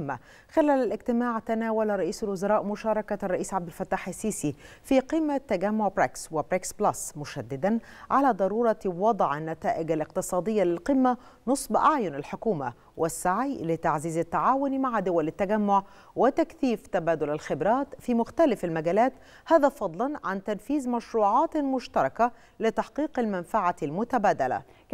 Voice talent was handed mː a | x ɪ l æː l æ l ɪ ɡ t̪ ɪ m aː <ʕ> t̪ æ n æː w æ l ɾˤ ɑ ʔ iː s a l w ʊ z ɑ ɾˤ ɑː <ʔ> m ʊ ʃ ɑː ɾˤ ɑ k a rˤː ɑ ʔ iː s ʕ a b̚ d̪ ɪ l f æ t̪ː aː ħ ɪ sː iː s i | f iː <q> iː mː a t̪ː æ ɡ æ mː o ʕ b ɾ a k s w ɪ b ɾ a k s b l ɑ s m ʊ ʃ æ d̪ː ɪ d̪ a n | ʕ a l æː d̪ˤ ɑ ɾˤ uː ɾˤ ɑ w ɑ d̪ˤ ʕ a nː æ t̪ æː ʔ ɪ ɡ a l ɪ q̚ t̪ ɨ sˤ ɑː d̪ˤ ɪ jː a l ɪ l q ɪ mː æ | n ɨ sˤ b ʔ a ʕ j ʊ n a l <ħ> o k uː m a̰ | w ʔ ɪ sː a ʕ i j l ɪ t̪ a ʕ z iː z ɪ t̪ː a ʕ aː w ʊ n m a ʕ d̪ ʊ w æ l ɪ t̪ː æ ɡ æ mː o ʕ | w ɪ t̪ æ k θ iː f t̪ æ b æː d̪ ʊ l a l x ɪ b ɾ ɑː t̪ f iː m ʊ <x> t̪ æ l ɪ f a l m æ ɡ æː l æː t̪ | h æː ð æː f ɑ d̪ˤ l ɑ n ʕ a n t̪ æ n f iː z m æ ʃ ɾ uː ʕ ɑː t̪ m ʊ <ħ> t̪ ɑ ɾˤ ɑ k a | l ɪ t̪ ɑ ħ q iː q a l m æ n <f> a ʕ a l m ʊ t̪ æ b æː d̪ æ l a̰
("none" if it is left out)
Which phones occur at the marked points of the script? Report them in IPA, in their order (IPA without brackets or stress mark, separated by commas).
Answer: ʕ, ʔ, q, ħ, x, ʃ, f